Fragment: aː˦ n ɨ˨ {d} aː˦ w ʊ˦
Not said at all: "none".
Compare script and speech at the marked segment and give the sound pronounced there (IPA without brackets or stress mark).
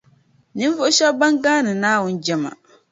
n